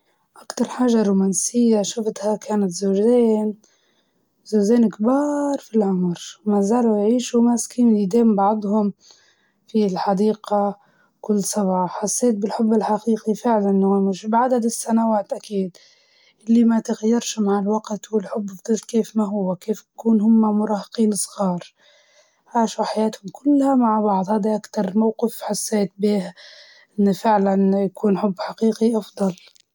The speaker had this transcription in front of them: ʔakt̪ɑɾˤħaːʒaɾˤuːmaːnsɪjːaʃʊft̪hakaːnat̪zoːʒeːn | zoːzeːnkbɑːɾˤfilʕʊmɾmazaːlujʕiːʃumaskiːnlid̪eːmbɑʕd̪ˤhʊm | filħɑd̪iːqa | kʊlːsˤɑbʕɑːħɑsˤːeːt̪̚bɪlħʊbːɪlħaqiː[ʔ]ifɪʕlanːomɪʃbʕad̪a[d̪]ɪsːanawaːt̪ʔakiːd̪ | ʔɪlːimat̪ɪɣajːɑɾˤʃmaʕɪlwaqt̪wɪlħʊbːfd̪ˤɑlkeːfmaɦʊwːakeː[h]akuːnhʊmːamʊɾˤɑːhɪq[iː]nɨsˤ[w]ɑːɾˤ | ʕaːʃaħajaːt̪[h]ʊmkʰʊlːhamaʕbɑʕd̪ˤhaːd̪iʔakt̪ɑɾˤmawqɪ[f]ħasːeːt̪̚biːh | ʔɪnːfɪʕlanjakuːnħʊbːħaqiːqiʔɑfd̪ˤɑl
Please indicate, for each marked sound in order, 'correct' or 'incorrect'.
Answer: incorrect, correct, incorrect, correct, incorrect, correct, correct

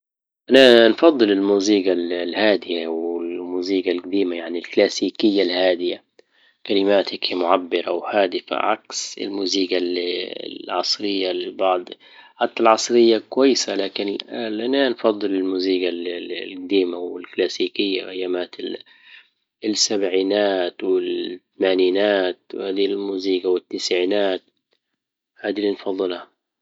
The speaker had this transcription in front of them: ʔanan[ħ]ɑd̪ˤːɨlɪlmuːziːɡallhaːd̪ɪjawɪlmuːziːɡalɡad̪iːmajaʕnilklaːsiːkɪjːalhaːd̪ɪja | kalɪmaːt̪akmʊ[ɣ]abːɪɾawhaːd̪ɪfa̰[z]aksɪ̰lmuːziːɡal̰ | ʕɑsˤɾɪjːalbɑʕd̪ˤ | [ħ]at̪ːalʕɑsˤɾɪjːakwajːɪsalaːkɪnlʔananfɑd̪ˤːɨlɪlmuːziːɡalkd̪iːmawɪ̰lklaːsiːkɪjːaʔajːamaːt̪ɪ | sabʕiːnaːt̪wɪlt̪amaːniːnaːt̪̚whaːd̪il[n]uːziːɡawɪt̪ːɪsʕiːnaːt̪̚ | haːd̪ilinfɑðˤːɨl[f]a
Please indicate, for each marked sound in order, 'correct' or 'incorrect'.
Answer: incorrect, incorrect, incorrect, correct, incorrect, incorrect

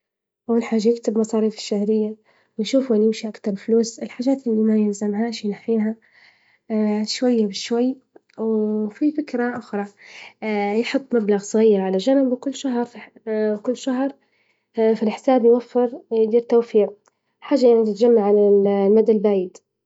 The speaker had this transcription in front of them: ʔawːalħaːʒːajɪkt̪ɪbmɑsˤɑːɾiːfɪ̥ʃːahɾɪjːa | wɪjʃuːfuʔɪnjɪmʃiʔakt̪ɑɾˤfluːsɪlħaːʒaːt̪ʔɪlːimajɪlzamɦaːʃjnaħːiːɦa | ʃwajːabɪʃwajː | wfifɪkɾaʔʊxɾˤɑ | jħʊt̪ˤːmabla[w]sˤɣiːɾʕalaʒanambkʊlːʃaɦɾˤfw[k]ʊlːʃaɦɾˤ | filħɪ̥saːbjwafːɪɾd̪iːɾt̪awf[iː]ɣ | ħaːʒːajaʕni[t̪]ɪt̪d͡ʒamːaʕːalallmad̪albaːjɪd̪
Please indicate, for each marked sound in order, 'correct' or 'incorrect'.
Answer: incorrect, correct, correct, correct

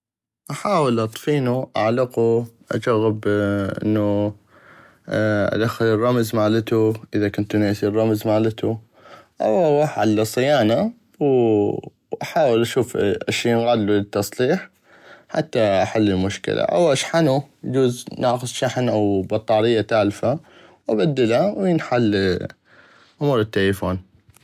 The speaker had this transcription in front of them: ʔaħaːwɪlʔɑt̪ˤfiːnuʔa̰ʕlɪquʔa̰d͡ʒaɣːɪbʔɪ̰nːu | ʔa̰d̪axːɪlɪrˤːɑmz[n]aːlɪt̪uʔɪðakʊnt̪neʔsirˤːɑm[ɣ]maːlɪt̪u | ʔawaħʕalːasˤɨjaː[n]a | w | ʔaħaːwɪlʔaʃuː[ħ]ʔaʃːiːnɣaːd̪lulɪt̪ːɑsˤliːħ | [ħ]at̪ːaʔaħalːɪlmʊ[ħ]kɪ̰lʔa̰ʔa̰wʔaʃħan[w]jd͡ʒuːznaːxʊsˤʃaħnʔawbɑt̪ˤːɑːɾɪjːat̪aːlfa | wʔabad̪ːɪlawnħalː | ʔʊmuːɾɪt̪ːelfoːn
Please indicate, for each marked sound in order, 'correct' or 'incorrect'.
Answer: incorrect, incorrect, correct, incorrect, correct, incorrect, incorrect

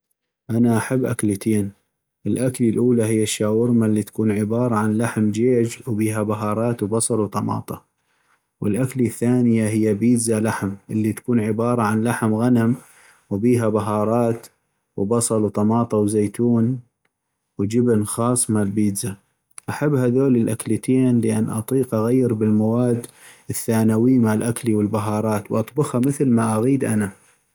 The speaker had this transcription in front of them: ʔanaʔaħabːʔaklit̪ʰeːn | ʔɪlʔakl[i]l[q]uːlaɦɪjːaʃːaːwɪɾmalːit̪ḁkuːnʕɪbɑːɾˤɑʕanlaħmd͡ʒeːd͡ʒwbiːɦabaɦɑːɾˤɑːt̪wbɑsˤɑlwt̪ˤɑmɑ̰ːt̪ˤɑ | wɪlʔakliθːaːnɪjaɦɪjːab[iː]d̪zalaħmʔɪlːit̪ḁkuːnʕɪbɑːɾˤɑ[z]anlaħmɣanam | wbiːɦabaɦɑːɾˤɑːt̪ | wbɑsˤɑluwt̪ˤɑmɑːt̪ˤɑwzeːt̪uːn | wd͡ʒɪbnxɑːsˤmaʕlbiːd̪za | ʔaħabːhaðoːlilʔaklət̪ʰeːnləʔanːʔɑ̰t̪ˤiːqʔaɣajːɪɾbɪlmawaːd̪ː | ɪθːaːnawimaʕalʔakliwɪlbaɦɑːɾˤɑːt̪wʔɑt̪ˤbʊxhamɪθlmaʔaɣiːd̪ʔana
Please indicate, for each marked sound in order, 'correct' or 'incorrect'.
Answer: correct, incorrect, correct, incorrect

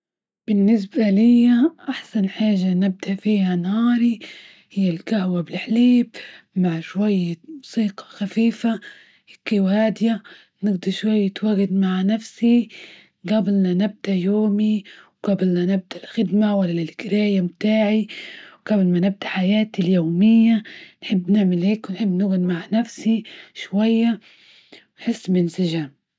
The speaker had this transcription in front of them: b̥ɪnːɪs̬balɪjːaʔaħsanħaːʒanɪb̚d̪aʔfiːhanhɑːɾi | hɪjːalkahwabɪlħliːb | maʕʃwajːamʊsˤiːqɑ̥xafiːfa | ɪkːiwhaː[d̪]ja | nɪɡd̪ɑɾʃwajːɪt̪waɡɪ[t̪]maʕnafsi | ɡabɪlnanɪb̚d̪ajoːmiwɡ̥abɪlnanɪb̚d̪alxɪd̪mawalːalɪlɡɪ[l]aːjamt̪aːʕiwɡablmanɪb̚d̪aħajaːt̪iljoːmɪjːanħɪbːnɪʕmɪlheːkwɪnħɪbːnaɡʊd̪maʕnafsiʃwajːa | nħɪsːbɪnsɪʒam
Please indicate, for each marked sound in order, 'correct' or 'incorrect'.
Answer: correct, incorrect, incorrect

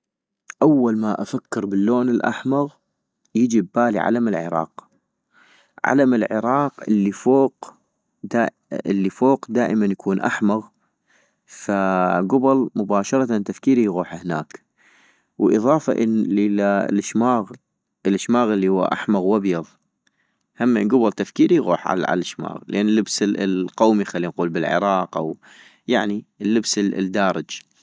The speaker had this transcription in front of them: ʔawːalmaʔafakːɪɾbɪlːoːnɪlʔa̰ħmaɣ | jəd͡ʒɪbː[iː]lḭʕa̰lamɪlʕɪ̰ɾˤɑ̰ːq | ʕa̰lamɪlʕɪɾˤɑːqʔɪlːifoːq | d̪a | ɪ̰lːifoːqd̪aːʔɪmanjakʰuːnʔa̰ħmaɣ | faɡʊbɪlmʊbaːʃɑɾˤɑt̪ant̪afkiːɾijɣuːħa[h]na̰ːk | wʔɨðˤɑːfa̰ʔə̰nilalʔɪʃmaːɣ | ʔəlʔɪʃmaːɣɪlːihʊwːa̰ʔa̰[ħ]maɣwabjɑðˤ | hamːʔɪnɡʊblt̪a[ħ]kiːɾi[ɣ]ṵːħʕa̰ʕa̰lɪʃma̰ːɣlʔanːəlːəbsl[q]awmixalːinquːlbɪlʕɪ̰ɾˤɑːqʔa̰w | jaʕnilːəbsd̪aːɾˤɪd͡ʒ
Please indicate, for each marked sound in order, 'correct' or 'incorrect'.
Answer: incorrect, correct, correct, incorrect, correct, correct

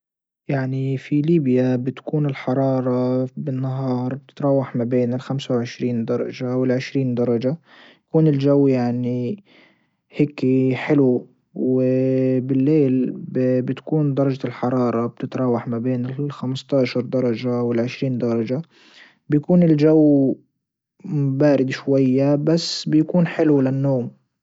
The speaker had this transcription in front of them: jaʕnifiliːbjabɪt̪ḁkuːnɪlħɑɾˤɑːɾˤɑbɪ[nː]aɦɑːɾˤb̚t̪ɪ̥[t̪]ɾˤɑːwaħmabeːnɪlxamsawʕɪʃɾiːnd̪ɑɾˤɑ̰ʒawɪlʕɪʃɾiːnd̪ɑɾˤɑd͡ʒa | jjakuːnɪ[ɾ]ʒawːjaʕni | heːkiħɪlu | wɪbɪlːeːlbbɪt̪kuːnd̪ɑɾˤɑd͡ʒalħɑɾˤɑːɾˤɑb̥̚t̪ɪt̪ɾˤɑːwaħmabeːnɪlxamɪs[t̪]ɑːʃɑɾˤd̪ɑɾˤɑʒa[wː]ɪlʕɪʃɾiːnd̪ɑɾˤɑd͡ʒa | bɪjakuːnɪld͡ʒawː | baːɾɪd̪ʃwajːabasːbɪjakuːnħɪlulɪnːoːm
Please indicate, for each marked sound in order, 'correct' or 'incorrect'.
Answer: correct, correct, incorrect, correct, incorrect

